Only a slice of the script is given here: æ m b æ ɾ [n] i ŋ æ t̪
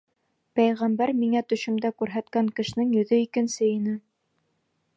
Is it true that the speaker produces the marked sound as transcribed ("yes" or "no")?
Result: no